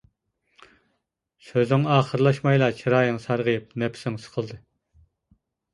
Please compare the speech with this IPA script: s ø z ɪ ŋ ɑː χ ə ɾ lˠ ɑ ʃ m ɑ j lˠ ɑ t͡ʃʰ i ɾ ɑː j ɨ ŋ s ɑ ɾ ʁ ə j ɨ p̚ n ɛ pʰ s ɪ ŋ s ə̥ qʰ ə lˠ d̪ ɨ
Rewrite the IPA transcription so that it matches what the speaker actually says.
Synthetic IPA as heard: s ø z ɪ ŋ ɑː χ ə ɾ lˠ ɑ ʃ m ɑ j lˠ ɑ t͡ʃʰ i ɾ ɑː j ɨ ŋ s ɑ ɾ ʁ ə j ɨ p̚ n ɛ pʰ s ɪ ŋ s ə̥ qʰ ə lˠ d̪ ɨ